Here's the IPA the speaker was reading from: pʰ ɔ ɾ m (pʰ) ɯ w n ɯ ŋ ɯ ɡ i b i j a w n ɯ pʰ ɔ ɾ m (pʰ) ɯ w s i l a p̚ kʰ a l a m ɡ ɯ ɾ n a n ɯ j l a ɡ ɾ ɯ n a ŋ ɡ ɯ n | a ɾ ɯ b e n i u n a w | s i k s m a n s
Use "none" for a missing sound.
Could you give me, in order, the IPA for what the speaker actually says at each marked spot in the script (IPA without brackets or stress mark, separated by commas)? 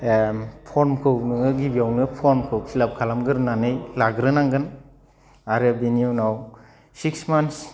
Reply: kʰ, kʰ